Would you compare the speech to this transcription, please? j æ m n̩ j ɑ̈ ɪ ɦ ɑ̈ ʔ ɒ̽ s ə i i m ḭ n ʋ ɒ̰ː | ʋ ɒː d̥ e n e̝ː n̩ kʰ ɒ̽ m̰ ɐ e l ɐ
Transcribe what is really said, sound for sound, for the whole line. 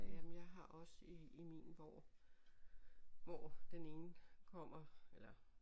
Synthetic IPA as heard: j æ m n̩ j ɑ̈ ɪ ɦ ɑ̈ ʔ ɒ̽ s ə i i m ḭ n ʋ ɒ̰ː | ʋ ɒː d̥ e n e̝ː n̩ kʰ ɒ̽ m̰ ɐ e l ɐ